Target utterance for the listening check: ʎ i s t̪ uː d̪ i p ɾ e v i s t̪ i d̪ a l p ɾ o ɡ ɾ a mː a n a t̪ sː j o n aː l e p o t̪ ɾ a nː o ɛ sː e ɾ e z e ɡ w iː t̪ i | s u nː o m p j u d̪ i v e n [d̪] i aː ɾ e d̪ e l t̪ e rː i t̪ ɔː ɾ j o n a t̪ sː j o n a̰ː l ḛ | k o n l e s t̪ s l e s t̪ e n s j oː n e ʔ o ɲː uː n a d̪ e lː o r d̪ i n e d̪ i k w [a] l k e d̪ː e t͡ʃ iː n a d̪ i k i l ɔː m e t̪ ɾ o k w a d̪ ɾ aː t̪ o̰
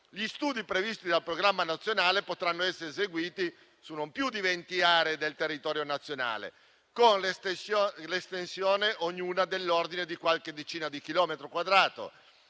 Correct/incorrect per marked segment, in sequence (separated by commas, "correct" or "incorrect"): incorrect, correct